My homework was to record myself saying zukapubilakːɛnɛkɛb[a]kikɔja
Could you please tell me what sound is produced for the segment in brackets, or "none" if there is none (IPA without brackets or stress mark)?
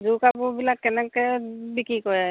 i